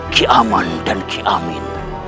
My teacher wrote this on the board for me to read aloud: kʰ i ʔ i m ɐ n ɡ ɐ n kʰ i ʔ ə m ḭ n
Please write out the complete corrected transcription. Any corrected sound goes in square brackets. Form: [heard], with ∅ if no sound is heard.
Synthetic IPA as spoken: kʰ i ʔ [a] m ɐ n [d] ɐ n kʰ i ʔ [a] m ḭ n